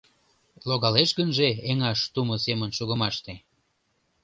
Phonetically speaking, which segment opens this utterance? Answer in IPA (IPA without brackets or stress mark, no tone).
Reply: l